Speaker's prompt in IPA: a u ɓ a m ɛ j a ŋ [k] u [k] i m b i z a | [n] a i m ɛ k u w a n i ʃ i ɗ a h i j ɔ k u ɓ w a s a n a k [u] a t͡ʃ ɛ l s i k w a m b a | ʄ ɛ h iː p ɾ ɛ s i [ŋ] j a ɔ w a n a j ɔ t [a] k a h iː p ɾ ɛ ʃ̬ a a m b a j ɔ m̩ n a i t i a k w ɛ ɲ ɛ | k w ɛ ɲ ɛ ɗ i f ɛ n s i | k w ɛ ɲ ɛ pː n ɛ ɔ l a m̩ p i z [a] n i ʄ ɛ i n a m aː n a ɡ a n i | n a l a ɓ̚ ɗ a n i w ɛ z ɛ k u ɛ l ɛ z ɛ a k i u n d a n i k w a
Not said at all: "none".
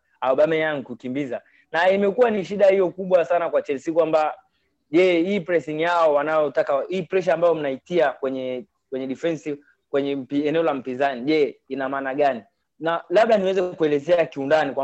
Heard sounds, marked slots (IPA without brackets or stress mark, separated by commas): k, k, n, w, ŋ, a, a